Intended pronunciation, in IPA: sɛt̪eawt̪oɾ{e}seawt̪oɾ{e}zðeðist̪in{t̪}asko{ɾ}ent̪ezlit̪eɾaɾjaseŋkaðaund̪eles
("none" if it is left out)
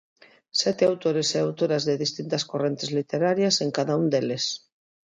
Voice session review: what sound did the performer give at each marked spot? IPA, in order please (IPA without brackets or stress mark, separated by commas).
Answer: e, a, t̪, r